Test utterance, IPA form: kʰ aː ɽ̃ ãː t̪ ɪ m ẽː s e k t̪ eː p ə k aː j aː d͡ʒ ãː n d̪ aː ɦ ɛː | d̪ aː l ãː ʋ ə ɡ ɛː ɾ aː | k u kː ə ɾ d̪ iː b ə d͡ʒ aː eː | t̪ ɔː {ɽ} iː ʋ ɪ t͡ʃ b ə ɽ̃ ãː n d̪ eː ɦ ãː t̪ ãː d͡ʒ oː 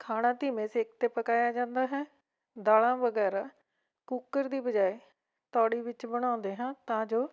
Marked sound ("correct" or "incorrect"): correct